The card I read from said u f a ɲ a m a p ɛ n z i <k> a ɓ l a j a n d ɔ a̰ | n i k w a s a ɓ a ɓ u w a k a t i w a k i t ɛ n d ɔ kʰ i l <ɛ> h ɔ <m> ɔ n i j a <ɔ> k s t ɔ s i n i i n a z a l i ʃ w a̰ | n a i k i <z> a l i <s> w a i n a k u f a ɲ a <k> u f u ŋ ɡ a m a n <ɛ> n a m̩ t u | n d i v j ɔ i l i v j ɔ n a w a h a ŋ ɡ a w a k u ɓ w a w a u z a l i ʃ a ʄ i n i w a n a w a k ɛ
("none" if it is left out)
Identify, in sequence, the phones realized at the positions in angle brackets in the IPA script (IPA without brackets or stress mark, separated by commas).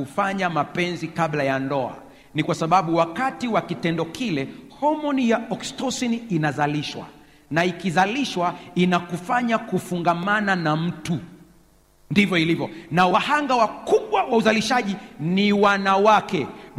k, ɛ, m, ɔ, z, ʃ, k, a